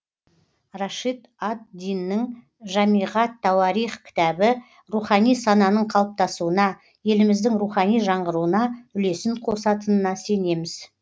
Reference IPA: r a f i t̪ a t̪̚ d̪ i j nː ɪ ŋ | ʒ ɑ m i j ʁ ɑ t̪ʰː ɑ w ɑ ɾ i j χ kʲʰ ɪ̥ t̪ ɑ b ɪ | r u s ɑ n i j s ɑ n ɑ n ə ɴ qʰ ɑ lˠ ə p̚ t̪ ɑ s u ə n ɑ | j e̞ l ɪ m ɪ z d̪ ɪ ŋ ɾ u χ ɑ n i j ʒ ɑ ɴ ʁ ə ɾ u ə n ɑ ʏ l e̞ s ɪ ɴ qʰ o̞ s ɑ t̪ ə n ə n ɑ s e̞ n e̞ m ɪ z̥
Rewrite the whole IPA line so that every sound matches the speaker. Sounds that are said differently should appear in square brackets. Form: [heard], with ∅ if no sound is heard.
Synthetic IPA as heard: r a [ʃ] i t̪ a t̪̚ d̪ i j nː ɪ ŋ | ʒ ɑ m i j ʁ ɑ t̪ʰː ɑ w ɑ ɾ i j χ kʲʰ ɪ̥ t̪ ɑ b ɪ | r u [χ] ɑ n i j s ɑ n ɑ n ə ɴ qʰ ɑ lˠ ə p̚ t̪ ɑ s u ə n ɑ | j e̞ l ɪ m ɪ z d̪ ɪ ŋ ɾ u χ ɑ n i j ʒ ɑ ɴ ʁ ə ɾ u ə n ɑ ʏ l e̞ s ɪ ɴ qʰ o̞ s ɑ t̪ ə n ə n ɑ s e̞ n e̞ m ɪ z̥

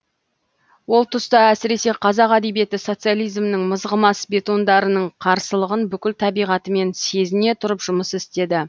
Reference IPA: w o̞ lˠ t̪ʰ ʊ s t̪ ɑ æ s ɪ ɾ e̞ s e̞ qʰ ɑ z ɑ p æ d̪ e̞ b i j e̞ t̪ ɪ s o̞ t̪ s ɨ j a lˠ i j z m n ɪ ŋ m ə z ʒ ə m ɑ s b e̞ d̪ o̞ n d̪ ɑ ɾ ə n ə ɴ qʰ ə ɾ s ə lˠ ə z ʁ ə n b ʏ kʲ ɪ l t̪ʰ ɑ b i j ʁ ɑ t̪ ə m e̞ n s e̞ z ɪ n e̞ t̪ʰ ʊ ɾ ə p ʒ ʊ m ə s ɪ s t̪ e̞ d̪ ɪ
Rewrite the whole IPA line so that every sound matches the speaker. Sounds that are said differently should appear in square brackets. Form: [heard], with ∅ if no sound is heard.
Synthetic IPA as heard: w o̞ lˠ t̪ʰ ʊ s t̪ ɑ æ s ɪ ɾ e̞ s e̞ qʰ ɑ z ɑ [q] æ d̪ e̞ b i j e̞ t̪ ɪ s o̞ t̪ s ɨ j a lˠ i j z m n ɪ ŋ m ə z [ʁ] ə m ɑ s b e̞ [t̪] o̞ n d̪ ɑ ɾ ə n ə ɴ qʰ [ɑ] ɾ s ə lˠ ə [∅] ʁ ə n b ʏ kʲ ɪ l t̪ʰ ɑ b i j ʁ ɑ t̪ ə m e̞ n s e̞ z ɪ n e̞ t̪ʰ ʊ ɾ ə p ʒ ʊ m ə s ɪ s t̪ e̞ d̪ ɪ

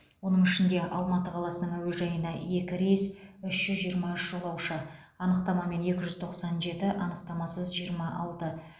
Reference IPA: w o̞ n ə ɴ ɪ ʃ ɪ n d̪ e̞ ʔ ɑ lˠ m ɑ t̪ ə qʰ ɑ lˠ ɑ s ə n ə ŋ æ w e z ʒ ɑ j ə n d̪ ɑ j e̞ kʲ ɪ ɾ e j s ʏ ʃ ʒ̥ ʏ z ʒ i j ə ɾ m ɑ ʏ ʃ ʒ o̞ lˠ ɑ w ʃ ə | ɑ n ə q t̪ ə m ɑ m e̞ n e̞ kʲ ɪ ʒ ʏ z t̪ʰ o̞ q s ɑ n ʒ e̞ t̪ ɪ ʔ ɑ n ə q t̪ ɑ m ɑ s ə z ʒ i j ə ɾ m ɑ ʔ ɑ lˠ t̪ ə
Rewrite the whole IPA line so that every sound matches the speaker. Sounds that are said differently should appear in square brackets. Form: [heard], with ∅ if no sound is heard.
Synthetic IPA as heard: w o̞ n ə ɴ ɪ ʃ ɪ n d̪ e̞ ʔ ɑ lˠ m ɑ t̪ ə qʰ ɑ lˠ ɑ s ə n ə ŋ æ w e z ʒ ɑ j ə n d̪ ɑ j e̞ kʲ ɪ ɾ e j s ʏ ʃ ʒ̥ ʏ z ʒ i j ə ɾ m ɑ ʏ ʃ ʒ o̞ lˠ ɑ w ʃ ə | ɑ n ə q t̪ [ɑ] m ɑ m e̞ n e̞ kʲ ɪ ʒ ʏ z t̪ʰ o̞ q s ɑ n ʒ e̞ t̪ ɪ ʔ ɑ n ə q t̪ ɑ m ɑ s ə z ʒ i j ə ɾ m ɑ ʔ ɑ lˠ t̪ ə

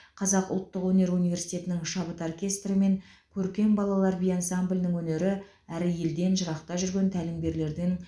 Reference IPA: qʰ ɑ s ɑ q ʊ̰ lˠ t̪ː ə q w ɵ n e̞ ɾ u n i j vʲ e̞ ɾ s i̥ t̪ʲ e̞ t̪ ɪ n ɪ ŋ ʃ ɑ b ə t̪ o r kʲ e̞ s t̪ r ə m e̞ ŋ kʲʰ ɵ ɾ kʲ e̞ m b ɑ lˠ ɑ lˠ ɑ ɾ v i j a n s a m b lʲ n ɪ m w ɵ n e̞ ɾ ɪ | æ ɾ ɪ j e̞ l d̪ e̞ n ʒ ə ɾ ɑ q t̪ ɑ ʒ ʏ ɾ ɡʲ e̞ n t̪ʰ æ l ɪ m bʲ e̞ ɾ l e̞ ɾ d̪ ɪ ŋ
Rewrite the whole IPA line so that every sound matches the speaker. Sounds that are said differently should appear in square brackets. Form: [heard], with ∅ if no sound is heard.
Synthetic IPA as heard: qʰ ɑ [z] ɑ q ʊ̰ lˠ t̪ː ə q w ɵ n e̞ ɾ u n i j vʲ e̞ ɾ s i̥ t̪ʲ e̞ t̪ ɪ n ɪ ŋ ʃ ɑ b ə t̪ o r kʲ e̞ s t̪ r ə m e̞ ŋ kʲʰ ɵ ɾ kʲ e̞ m b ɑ lˠ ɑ lˠ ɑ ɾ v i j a n s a m b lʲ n ɪ [ŋ] w ɵ n e̞ ɾ ɪ | æ ɾ ɪ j e̞ l d̪ e̞ n ʒ ə ɾ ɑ q t̪ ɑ ʒ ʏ ɾ ɡʲ e̞ n t̪ʰ æ l ɪ m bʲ e̞ ɾ l e̞ ɾ d̪ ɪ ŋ

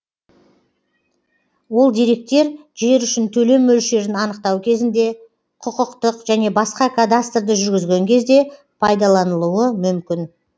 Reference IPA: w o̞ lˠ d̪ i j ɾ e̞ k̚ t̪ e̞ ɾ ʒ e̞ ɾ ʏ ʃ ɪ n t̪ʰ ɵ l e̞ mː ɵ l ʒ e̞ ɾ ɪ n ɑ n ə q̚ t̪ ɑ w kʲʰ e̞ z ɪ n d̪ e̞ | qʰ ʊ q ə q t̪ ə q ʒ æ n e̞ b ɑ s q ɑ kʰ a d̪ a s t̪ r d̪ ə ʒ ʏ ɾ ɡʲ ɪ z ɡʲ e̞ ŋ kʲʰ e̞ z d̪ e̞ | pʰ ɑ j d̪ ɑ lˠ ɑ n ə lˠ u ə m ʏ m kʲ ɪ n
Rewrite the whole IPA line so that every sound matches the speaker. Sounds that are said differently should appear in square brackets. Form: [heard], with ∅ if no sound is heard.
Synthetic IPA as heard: w o̞ lˠ d̪ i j ɾ e̞ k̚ t̪ e̞ ɾ ʒ e̞ ɾ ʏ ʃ ɪ n t̪ʰ ɵ l e̞ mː ɵ l [ʃ] e̞ ɾ ɪ n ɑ n ə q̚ t̪ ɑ w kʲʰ e̞ z ɪ n d̪ e̞ | qʰ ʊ q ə q t̪ ə q ʒ æ n e̞ b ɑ s q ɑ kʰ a d̪ a s t̪ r d̪ ə ʒ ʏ ɾ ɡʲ ɪ z ɡʲ e̞ ŋ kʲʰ e̞ z d̪ e̞ | pʰ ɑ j d̪ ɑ lˠ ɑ n ə lˠ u ə m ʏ m kʲ ɪ n

